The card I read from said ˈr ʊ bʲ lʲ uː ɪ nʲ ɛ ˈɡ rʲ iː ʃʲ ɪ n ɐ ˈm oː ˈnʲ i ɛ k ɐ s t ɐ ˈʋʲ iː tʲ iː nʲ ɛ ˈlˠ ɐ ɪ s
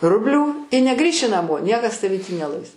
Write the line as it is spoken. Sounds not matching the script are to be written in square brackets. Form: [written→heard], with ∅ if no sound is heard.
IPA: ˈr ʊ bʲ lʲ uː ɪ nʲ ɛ ˈɡ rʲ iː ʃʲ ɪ n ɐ ˈm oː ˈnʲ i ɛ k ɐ s t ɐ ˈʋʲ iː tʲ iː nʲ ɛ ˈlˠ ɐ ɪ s